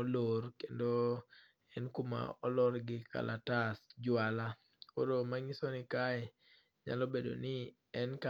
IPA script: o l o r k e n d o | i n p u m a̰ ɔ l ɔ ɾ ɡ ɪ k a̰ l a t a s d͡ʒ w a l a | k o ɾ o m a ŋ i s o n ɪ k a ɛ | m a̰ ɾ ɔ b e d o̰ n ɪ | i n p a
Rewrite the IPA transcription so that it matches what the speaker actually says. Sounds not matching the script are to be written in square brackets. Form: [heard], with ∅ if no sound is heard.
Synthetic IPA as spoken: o l o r k e n d o | [ɛ] n [k] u m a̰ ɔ l ɔ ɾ ɡ ɪ k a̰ l a t a s d͡ʒ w a l a | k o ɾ o m a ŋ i s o n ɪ k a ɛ | [ɲ] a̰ [l] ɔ b e d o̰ n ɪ | [ɛ] n [k] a

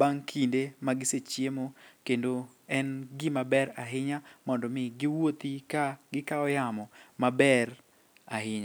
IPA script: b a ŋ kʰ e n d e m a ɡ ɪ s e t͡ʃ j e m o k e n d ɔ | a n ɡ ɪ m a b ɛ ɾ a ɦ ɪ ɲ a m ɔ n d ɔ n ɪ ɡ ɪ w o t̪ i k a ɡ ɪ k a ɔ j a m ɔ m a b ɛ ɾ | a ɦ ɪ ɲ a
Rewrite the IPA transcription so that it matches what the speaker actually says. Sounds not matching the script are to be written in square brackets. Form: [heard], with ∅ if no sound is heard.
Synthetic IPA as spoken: b a ŋ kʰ [i] n d e m a ɡ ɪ s e t͡ʃ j e m o k e n d [o] | [ɛ] n ɡ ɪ m a b ɛ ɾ a ɦ ɪ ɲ a m ɔ n d ɔ [m] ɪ ɡ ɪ w o t̪ i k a ɡ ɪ k a ɔ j a m ɔ m a b ɛ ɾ | a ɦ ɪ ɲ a

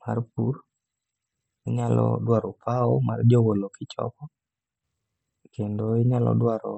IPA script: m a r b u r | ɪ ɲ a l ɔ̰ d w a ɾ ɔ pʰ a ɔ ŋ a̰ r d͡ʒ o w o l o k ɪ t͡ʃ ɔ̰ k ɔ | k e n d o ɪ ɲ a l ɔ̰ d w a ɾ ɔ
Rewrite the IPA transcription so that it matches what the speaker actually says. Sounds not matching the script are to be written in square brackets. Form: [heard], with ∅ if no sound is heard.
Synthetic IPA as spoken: m a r [p] u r | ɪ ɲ a l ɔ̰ d w a ɾ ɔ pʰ a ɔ [m] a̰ r d͡ʒ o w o l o k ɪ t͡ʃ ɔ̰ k ɔ | k e n d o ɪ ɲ a l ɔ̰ d w a ɾ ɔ

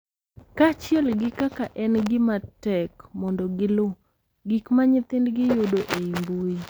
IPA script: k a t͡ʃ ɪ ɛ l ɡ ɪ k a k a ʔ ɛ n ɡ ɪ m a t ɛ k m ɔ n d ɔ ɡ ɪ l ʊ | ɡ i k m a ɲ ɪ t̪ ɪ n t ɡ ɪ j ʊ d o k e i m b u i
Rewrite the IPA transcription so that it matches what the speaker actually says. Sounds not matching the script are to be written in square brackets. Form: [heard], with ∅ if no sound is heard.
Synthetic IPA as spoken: k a t͡ʃ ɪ ɛ l ɡ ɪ k a k a ʔ ɛ n ɡ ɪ m a t ɛ k m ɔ n d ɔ ɡ ɪ l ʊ | ɡ i k m a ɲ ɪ t̪ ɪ n [d] ɡ ɪ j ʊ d o [ʔ] e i m b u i

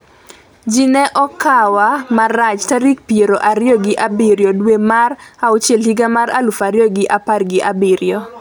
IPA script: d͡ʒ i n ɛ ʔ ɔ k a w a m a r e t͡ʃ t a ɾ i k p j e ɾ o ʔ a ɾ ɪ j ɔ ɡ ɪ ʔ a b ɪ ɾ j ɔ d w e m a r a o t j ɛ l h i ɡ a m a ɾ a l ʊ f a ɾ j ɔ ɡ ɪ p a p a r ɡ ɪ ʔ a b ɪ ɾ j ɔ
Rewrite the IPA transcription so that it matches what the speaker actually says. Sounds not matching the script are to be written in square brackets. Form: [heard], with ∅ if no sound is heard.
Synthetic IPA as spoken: d͡ʒ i n ɛ ʔ ɔ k a w a m a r [a] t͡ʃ t a ɾ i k p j e ɾ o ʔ a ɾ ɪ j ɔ ɡ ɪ ʔ a b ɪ ɾ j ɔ d w e m a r a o [t͡ʃ] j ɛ l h i ɡ a m a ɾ a l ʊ f a ɾ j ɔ ɡ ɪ [ʔ] a p a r ɡ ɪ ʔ a b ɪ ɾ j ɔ

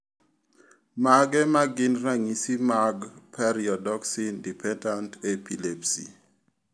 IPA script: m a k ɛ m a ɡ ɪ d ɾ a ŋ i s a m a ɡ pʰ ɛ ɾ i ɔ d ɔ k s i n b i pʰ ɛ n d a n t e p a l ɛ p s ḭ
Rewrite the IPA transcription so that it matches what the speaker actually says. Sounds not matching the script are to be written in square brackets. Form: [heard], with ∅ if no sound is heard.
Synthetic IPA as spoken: m a [ɡ] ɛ m a ɡ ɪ [n] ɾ a ŋ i s [i] m a ɡ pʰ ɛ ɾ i ɔ d ɔ k s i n [d] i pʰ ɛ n d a n t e p [i] l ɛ p s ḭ

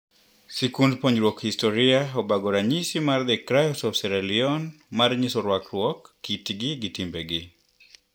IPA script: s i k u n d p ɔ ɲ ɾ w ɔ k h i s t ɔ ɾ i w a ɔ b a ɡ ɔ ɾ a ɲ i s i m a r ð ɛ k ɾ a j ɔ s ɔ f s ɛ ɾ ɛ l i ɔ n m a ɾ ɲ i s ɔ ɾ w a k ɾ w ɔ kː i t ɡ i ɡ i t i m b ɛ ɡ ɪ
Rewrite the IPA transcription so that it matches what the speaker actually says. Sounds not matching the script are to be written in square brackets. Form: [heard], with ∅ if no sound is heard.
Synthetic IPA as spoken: s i k u n d p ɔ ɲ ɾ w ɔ k h i s t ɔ ɾ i [∅] a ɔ b a ɡ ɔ ɾ a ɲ i s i m a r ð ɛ k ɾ a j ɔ s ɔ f s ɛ ɾ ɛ l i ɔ n m a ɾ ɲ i s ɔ ɾ w a k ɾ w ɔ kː i t ɡ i ɡ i t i m b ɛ ɡ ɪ

